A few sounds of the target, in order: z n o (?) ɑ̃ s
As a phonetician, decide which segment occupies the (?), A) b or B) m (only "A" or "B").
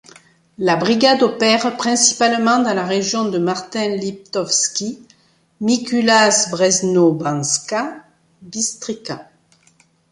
A